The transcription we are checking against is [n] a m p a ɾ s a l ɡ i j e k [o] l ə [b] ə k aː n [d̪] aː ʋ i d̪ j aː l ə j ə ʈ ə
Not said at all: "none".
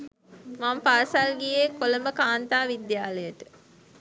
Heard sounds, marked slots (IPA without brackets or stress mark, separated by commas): m, o, m, t̪